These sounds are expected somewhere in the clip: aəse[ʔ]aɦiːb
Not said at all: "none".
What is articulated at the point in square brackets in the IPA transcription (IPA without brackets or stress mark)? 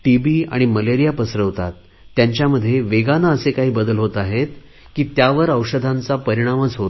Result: k